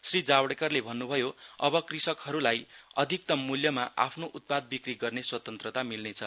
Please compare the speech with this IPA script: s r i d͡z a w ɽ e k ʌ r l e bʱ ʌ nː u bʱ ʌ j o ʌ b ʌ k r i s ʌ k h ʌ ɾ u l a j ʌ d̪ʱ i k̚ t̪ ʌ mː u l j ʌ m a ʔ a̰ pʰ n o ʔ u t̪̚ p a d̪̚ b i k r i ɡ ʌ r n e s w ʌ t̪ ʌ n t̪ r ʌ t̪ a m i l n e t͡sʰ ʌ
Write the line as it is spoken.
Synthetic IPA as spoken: s r i d͡z a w ɽ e k ʌ r l e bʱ ʌ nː u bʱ ʌ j o ʌ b ʌ k r i s ʌ k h ʌ ɾ u l a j ʌ d̪ʱ i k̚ t̪ ʌ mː u l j ʌ m a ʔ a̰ pʰ n o ʔ u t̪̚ p a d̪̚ b i k r i ɡ ʌ r n e s w ʌ t̪ ʌ n t̪ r ʌ t̪ a m i l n e t͡sʰ ʌ